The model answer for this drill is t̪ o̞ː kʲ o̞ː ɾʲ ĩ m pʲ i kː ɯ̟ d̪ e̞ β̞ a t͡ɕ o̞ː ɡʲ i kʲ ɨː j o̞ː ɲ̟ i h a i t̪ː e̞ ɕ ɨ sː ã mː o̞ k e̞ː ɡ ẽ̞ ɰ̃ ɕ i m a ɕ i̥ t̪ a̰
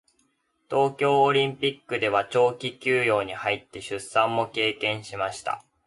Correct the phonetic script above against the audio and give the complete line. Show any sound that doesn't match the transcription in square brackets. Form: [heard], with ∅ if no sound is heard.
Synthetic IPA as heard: t̪ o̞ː kʲ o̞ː ɾʲ ĩ m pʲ i kː ɯ̟ d̪ e̞ β̞ a t͡ɕ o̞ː [kʲ] i kʲ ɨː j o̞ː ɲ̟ i h a i t̪ː e̞ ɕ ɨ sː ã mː o̞ k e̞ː [k] ẽ̞ ɰ̃ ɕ i m a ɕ i̥ t̪ a̰